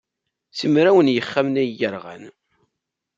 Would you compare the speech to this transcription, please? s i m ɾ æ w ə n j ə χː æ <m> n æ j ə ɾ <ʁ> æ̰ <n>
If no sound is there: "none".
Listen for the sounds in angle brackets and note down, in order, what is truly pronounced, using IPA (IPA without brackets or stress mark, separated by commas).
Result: m, ʁ, n